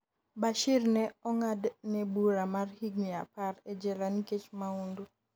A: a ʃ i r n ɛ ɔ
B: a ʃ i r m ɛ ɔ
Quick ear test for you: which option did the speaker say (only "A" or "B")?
A